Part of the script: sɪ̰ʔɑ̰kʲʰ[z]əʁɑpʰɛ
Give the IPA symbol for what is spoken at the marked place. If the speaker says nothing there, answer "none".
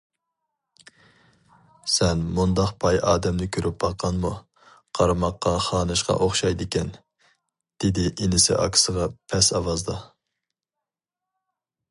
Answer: s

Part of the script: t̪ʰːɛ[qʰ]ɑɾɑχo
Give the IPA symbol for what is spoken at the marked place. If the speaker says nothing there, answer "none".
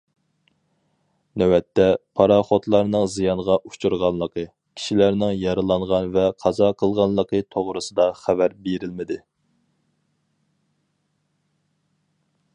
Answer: pʰ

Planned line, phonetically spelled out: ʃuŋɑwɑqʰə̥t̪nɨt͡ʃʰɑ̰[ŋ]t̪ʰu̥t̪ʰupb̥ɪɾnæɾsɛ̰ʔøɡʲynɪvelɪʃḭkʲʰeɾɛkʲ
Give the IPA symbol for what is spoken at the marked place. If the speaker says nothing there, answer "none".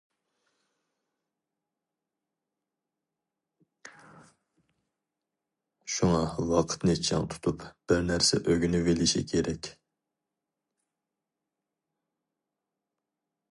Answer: ŋ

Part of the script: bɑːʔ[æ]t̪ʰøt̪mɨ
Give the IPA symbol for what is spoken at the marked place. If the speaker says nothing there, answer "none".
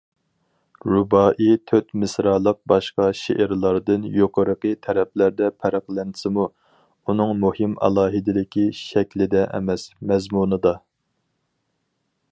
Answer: i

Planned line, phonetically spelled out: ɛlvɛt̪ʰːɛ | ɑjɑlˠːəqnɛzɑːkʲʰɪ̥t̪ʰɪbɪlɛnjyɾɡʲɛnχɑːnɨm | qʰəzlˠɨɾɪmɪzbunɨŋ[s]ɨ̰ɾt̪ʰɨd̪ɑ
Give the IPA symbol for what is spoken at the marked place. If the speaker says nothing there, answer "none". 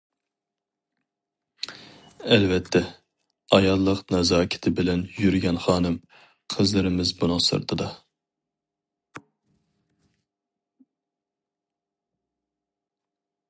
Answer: s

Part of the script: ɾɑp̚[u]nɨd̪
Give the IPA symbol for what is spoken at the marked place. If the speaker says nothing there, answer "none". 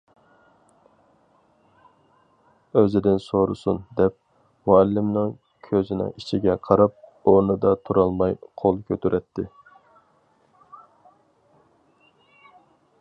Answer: o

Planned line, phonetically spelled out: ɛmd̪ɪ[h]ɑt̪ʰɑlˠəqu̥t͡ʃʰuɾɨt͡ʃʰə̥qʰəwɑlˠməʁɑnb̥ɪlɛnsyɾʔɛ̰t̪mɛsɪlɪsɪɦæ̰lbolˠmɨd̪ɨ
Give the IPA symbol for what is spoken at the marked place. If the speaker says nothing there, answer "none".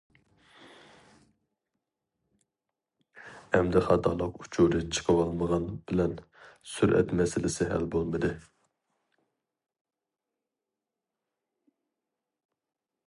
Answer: χ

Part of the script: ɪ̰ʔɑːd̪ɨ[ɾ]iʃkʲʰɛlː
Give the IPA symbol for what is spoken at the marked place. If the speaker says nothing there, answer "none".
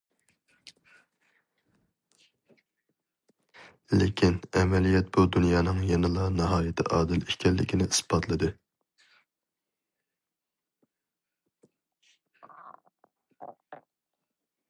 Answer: l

